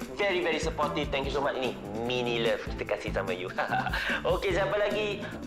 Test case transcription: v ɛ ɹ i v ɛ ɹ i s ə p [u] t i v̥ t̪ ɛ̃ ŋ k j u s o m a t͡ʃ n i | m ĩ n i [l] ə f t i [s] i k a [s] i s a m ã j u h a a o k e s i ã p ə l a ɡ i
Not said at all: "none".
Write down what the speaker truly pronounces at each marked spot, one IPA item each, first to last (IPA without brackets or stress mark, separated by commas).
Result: ɔ, l, f, s